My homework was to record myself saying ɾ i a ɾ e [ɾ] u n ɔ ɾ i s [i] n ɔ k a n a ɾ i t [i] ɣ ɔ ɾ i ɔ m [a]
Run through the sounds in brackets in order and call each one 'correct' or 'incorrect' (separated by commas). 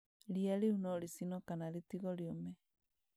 incorrect, correct, correct, incorrect